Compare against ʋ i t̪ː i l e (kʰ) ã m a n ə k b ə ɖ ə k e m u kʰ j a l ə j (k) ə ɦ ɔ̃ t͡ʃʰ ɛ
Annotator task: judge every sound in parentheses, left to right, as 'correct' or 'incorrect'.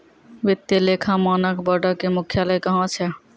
correct, correct

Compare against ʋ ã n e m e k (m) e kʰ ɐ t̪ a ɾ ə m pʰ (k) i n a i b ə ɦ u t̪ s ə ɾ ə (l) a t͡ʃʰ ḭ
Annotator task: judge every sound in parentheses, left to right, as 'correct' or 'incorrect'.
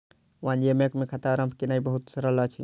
correct, correct, correct

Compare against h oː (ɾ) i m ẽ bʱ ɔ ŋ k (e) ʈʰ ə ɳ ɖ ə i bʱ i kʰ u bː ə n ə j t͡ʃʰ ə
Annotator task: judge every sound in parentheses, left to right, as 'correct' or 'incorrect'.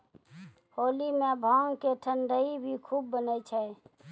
incorrect, correct

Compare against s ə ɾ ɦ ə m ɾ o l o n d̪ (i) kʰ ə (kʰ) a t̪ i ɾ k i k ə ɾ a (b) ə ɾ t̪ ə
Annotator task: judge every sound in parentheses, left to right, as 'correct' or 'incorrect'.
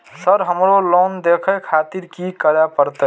incorrect, correct, incorrect

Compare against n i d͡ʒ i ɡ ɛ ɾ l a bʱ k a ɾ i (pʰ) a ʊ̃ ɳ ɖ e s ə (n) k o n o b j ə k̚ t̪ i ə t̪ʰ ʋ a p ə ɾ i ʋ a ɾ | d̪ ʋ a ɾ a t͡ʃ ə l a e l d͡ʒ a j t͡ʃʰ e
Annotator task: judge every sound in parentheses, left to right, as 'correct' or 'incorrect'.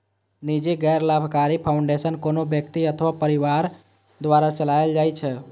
correct, correct

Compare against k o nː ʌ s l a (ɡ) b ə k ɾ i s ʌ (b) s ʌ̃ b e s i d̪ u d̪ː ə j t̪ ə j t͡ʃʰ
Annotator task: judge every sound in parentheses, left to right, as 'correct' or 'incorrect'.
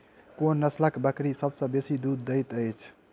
incorrect, correct

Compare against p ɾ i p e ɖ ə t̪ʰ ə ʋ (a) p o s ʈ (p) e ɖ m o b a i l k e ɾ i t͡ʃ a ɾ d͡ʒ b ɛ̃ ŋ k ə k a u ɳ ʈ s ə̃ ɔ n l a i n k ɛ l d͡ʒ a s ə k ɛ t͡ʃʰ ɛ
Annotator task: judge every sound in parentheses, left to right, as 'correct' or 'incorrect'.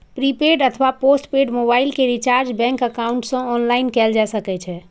correct, correct

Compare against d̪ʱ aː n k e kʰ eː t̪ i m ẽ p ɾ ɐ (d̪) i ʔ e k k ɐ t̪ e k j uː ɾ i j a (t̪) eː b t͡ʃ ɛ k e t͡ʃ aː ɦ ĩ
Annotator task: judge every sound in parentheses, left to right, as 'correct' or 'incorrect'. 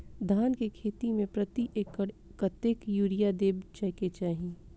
incorrect, incorrect

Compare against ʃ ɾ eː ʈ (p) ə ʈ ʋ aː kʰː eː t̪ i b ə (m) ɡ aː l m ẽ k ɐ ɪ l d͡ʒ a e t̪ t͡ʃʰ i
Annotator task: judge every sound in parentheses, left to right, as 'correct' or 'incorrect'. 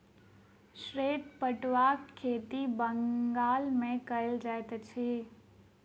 correct, incorrect

